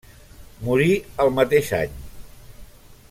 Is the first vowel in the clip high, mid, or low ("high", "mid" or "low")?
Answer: high